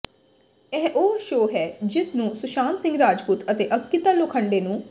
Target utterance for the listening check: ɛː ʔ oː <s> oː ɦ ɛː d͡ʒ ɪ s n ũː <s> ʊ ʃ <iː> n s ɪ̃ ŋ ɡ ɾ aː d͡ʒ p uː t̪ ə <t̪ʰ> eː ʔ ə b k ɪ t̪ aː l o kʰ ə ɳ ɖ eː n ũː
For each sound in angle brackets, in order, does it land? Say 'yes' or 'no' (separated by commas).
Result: no, yes, no, no